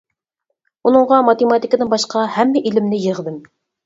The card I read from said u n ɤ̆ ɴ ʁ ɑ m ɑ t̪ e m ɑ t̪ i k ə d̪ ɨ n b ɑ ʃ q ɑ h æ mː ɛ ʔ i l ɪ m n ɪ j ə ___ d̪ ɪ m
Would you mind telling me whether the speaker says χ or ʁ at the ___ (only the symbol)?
ʁ